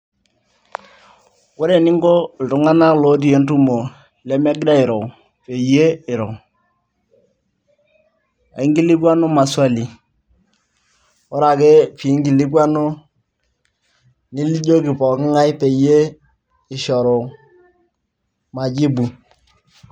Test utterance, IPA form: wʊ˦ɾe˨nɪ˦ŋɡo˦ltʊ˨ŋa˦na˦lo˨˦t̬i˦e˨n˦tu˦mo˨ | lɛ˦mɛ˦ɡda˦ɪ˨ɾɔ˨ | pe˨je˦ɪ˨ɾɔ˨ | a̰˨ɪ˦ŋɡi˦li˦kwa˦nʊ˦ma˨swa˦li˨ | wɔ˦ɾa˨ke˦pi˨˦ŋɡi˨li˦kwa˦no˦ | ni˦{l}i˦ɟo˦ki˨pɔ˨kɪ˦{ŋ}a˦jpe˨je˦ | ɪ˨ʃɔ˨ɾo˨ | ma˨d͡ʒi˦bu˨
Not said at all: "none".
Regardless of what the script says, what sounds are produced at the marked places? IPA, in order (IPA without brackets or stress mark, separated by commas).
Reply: l, ŋ